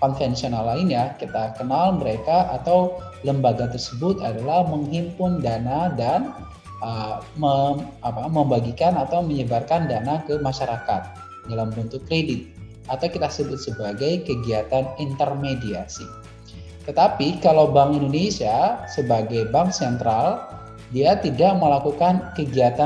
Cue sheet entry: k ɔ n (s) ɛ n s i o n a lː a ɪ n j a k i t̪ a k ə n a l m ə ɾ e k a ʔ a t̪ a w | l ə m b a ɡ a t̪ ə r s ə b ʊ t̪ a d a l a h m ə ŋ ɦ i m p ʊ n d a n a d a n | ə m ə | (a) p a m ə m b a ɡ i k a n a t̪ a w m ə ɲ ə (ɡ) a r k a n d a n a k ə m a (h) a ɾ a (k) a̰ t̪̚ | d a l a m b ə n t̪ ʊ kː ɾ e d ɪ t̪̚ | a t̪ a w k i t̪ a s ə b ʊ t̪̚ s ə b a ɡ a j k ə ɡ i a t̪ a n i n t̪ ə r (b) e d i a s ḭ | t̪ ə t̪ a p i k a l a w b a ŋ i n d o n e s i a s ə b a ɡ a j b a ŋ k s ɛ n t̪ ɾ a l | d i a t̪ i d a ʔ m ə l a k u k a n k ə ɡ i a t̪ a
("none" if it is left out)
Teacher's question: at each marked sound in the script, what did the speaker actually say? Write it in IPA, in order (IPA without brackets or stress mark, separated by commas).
f, a, b, ʃ, k, m